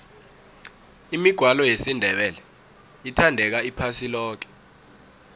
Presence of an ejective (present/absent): absent